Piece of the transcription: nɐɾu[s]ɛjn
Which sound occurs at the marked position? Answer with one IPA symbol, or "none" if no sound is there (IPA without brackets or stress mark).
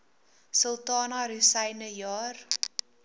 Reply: s